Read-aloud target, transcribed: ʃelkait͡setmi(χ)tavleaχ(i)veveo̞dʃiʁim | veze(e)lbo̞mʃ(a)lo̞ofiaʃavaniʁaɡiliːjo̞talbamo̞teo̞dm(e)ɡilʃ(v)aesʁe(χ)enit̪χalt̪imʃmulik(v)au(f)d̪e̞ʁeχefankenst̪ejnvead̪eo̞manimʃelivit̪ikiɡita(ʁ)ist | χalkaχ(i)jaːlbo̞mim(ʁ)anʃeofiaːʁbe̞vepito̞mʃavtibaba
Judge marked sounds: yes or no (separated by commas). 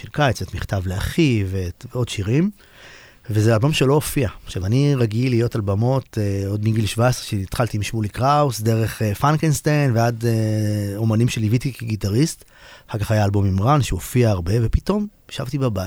yes, yes, no, no, no, yes, no, no, no, yes, no, yes